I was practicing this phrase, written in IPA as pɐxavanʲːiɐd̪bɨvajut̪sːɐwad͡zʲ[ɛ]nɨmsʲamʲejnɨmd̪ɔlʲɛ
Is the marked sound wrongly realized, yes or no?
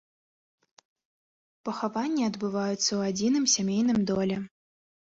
yes